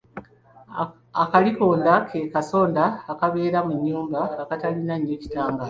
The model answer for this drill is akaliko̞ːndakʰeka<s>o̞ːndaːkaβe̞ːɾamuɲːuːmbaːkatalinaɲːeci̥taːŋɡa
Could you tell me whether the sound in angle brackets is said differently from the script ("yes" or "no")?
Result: no